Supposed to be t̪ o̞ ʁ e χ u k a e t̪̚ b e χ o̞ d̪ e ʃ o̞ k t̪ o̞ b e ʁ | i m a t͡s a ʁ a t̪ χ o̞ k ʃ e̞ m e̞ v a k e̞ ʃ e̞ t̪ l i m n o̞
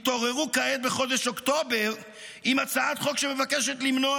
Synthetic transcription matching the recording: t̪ o̞ ʁ e ʁ u k a e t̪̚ b e χ o̞ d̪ e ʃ o̞ k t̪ o̞ b e ʁ | i m a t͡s a a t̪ χ o̞ k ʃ e̞ m e̞ v a k e̞ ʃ e̞ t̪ l i m n o̞